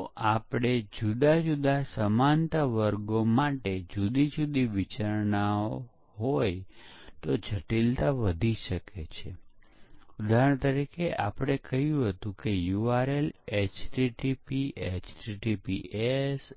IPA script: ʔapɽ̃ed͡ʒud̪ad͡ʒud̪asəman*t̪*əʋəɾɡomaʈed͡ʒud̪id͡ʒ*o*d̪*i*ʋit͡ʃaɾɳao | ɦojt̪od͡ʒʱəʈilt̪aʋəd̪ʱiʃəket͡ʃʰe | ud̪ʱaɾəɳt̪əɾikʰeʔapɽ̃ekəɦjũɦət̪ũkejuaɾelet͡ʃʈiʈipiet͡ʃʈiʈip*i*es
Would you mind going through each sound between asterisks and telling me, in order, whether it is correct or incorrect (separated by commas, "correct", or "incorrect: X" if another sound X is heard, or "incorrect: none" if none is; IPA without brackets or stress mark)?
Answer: correct, incorrect: u, correct, correct